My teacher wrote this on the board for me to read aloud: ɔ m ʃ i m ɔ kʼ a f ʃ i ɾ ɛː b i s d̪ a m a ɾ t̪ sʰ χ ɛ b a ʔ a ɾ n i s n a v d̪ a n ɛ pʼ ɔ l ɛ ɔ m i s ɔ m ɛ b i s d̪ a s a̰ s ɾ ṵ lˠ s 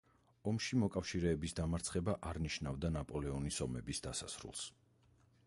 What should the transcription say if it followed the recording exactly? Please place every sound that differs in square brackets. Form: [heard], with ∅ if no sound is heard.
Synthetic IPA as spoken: ɔ m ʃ i m ɔ kʼ a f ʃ i ɾ ɛː b i s d̪ a m a ɾ t̪ sʰ χ ɛ b a ʔ a ɾ n i [ʃ] n a v d̪ a n [a] pʼ ɔ l ɛ ɔ [n] i s ɔ m ɛ b i s d̪ a s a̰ s ɾ ṵ lˠ s